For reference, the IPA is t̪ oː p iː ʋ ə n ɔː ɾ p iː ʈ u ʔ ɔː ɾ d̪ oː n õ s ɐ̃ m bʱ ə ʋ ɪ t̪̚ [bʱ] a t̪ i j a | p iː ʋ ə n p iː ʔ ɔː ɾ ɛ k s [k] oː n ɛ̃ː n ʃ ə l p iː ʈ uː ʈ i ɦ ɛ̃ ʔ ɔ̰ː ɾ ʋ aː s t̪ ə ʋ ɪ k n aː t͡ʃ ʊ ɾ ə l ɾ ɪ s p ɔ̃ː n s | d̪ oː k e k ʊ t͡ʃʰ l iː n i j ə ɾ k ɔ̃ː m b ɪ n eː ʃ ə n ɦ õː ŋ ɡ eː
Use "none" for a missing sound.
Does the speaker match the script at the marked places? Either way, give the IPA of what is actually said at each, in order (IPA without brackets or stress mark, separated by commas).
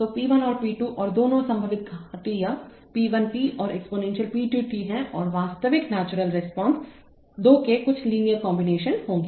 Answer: ɡʱ, p